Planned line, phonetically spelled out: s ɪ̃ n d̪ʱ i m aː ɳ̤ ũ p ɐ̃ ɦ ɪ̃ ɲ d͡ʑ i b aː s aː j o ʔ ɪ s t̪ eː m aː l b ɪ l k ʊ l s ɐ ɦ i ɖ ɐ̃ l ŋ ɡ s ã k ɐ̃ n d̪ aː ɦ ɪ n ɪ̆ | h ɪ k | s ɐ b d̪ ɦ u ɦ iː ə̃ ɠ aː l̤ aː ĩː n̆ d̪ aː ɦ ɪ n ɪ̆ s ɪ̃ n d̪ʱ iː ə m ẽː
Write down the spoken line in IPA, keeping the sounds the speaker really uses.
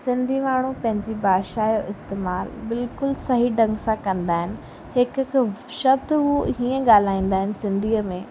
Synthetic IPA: s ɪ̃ n d̪ʱ i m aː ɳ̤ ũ p ɐ̃ ɦ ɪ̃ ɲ d͡ʑ i b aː ʃ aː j o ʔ ɪ s t̪ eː m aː l b ɪ l k ʊ l s ɐ ɦ i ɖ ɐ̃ ŋ ɡ s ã k ɐ̃ n d̪ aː ɦ ɪ n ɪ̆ | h ɪ k | ʃ ɐ b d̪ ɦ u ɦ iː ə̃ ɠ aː l̤ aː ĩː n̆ d̪ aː ɦ ɪ n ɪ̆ s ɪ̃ n d̪ʱ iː ə m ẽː